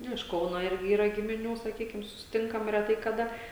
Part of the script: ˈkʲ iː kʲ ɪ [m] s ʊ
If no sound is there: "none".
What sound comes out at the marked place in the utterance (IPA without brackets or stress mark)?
m